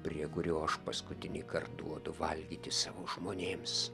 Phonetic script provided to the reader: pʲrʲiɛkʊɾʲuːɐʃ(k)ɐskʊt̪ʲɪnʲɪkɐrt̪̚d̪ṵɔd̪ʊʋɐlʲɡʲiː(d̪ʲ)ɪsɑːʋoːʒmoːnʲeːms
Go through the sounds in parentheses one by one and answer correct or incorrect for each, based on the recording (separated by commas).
incorrect, incorrect